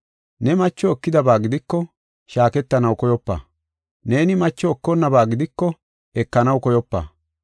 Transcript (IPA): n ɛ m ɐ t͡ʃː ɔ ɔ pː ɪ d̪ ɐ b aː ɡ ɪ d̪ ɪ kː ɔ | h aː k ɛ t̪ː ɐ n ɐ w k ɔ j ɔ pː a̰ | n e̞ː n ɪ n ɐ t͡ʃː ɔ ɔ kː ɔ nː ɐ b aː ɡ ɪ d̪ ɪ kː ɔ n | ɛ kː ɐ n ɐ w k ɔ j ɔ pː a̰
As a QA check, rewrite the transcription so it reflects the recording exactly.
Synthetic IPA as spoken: n ɛ m ɐ t͡ʃː ɔ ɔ kː ɪ d̪ ɐ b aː ɡ ɪ d̪ ɪ kː ɔ | ʃ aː k ɛ t̪ː ɐ n ɐ w k ɔ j ɔ pː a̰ | n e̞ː n ɪ m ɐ t͡ʃː ɔ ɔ kː ɔ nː ɐ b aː ɡ ɪ d̪ ɪ kː ɔ | ɛ kː ɐ n ɐ w k ɔ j ɔ pː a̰